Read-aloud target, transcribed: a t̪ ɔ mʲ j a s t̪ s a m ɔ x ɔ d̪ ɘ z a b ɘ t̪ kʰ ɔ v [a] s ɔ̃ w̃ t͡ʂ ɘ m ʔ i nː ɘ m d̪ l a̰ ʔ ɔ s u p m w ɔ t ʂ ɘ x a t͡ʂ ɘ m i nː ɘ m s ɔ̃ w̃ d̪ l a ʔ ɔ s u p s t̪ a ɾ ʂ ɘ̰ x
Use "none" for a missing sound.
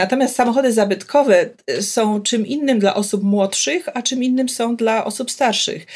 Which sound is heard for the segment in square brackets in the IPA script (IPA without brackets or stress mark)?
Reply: ɛ